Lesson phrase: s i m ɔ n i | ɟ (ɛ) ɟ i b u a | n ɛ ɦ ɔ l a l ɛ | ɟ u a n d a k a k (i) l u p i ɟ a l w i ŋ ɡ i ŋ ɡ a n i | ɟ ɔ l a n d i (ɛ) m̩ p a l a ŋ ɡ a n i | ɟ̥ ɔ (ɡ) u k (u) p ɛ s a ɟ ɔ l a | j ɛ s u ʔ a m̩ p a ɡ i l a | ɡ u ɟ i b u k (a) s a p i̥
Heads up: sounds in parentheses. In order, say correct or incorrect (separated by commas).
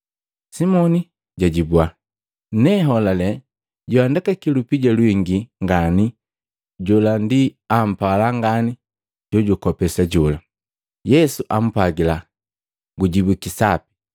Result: incorrect, correct, incorrect, incorrect, incorrect, incorrect